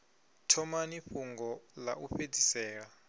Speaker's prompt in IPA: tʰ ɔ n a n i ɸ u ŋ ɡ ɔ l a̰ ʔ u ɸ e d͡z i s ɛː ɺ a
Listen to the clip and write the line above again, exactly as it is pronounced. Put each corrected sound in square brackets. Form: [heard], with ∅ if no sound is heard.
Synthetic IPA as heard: tʰ ɔ [m] a n i ɸ u ŋ ɡ ɔ l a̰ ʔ u ɸ e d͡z i s ɛː ɺ a